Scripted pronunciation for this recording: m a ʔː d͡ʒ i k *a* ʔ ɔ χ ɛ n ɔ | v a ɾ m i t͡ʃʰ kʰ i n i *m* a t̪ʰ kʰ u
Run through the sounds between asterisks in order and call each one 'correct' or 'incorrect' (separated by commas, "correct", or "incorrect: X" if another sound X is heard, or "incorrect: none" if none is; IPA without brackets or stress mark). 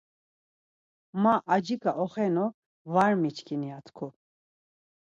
correct, incorrect: none